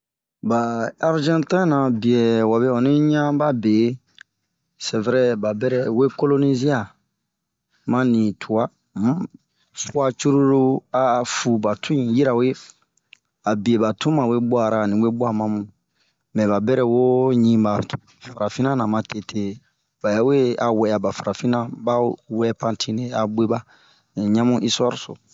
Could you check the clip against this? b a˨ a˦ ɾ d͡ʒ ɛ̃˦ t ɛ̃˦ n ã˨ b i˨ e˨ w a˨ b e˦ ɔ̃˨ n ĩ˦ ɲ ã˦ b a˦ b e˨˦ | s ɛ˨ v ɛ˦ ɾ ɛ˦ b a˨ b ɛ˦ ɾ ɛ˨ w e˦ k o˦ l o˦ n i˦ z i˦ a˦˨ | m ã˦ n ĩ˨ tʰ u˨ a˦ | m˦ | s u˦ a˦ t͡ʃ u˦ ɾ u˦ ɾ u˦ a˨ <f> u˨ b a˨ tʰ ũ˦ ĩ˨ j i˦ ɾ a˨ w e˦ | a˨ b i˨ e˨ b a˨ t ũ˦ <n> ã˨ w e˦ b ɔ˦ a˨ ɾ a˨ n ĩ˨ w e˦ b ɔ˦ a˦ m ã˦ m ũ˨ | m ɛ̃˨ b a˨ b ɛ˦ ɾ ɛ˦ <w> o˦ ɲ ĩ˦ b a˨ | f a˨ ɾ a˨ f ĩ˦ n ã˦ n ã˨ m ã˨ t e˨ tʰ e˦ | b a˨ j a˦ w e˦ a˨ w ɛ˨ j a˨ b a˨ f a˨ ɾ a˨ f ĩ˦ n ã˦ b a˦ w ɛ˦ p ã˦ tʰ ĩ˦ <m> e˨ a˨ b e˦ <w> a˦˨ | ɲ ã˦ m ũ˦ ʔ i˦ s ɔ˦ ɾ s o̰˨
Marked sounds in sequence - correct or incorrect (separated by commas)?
correct, incorrect, correct, incorrect, incorrect